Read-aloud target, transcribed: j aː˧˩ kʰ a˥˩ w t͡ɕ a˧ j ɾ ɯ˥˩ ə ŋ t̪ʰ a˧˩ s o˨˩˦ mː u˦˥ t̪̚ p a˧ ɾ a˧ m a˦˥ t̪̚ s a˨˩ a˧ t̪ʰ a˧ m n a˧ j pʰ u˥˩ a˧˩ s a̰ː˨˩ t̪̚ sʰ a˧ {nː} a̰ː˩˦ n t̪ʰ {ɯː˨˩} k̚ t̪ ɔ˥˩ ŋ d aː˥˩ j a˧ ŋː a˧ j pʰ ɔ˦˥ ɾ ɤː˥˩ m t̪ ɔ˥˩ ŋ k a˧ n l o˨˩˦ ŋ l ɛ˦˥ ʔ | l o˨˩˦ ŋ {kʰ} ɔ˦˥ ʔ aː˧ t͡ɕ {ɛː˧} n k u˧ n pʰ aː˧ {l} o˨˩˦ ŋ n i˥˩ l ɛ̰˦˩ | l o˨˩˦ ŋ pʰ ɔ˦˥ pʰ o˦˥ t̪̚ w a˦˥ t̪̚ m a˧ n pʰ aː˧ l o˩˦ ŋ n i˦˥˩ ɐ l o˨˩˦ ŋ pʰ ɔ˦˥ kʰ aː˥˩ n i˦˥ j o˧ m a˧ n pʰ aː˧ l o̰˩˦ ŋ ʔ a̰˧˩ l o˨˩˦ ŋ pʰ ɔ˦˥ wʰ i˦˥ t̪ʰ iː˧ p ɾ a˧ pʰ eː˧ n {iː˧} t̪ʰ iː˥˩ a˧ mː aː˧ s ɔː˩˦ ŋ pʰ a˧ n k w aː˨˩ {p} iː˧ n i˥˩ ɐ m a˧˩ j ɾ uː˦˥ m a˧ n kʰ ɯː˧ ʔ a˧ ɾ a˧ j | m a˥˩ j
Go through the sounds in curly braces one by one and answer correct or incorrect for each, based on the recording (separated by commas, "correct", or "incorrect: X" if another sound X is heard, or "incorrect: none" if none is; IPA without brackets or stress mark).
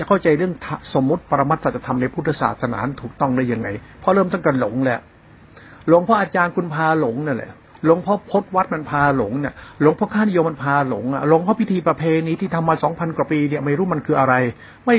incorrect: n, incorrect: uː˨˩, incorrect: pʰ, incorrect: aː˧, correct, incorrect: iː˦˥, correct